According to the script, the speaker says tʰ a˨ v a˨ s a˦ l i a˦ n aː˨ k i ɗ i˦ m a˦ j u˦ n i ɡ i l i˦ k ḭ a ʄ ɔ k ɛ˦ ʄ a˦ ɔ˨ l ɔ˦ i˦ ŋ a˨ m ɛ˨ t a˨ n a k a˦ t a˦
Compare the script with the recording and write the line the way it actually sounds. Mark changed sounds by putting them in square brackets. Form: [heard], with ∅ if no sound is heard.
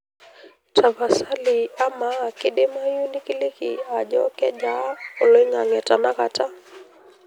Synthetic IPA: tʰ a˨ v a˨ s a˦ l i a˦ [m] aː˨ k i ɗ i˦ m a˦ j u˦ n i [k] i l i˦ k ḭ a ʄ ɔ k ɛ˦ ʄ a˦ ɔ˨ l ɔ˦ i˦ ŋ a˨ [ŋ] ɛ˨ t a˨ n a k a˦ t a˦